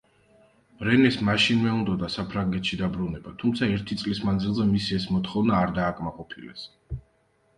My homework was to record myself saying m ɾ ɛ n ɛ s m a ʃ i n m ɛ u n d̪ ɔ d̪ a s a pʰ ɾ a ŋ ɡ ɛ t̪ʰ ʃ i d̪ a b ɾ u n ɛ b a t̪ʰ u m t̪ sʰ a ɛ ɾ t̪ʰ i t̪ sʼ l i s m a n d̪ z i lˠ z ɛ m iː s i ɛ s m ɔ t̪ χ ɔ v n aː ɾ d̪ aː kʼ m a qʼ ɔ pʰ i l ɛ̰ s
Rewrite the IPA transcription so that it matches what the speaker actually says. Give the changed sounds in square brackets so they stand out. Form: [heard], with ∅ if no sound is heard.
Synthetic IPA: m ɾ ɛ n ɛ s m a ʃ i n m ɛ u n d̪ ɔ d̪ a s a pʰ ɾ a ŋ ɡ ɛ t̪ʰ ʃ i d̪ a b ɾ u n ɛ b a t̪ʰ u m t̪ sʰ a ɛ ɾ t̪ʰ i t̪ sʼ l i s m a n d̪ z i lˠ z ɛ m [i] s i ɛ s m ɔ t̪ χ ɔ v n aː ɾ d̪ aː kʼ m a qʼ ɔ pʰ i l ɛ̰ s